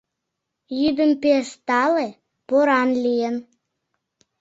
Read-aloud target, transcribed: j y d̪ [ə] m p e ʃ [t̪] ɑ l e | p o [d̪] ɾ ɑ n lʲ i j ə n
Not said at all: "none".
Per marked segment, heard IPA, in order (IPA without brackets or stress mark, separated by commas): ə, t̪, none